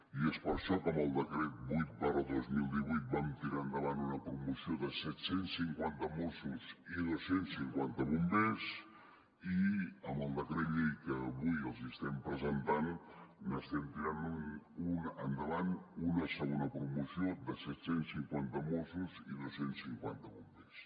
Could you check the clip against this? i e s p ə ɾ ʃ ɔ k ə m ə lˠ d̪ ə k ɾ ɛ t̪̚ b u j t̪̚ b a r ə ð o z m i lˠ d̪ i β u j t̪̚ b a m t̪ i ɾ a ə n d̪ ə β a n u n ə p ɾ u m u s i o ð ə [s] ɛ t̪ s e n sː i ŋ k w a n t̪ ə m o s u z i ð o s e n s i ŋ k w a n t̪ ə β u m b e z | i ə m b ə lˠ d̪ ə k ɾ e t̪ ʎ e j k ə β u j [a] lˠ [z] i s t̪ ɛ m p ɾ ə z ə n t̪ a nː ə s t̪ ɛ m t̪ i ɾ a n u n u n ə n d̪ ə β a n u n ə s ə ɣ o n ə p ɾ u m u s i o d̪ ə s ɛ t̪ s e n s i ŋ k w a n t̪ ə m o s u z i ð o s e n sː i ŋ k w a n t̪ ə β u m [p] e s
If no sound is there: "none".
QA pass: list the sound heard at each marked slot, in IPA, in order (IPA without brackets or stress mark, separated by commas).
s, ə, z, b